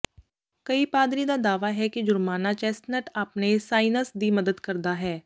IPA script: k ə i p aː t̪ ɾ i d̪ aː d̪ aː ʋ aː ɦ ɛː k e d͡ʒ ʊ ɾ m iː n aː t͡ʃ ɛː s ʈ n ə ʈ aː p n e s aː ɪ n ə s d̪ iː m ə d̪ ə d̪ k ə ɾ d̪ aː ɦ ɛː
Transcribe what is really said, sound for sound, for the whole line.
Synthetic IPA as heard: k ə i p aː d̪ ɾ i d̪ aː d̪ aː ʋ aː ɦ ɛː k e d͡ʒ ʊ ɾ m aː n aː t͡ʃ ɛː s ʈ n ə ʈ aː p n e s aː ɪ n ə s d̪ iː m ə d̪ ə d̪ k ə ɾ d̪ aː ɦ ɛː